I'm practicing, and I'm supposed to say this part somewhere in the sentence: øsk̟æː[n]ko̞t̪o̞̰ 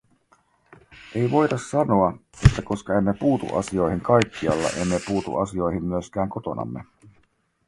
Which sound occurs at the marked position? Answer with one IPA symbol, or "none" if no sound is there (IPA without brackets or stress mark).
ŋ